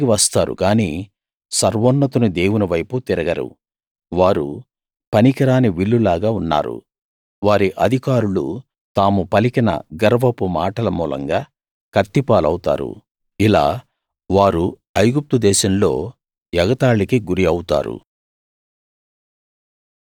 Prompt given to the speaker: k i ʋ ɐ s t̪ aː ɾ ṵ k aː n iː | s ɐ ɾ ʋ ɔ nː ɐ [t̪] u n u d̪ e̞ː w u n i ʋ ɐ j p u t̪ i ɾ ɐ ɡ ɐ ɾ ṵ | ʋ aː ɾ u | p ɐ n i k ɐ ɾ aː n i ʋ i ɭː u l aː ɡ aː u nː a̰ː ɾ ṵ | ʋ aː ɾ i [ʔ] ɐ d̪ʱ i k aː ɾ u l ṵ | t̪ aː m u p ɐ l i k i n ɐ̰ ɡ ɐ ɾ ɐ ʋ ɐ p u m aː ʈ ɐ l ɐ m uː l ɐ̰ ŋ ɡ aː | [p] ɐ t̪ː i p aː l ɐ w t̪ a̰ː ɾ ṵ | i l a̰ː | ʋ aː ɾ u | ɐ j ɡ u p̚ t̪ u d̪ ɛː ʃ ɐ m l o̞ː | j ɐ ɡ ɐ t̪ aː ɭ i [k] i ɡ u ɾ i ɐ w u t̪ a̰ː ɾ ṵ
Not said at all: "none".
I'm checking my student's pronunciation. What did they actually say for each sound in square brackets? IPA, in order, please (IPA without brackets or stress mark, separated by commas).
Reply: t̪, ʔ, k, k